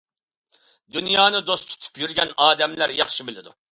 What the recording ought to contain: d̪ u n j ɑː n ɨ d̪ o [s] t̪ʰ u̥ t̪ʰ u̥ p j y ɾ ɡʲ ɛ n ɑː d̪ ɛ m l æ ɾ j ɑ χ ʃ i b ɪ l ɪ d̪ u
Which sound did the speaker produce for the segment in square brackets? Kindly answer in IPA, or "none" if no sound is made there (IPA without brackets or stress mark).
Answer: s